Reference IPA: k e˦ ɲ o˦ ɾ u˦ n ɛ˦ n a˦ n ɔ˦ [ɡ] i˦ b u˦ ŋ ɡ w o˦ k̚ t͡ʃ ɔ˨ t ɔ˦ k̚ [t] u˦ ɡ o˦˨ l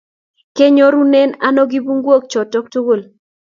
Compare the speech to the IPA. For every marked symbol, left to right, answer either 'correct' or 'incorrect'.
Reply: correct, correct

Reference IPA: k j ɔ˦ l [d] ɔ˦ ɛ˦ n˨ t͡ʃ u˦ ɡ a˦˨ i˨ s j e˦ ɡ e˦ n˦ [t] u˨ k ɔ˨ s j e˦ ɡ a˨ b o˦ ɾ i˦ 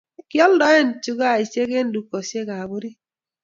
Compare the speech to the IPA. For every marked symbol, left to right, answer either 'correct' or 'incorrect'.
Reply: correct, incorrect

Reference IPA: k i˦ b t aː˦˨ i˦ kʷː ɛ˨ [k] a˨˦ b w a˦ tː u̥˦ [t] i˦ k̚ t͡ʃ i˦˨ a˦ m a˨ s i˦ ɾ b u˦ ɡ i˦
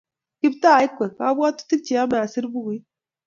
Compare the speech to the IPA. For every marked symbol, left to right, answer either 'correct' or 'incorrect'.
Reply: correct, correct

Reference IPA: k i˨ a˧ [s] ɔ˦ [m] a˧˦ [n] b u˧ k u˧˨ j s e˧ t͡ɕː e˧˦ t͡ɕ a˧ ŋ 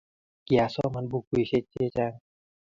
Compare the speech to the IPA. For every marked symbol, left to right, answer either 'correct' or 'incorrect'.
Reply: correct, correct, correct

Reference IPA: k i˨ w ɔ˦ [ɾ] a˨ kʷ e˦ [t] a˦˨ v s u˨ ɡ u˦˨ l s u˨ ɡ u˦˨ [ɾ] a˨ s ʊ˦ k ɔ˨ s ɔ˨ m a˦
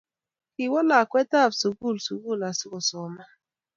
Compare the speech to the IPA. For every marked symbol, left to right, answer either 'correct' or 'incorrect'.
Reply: incorrect, correct, incorrect

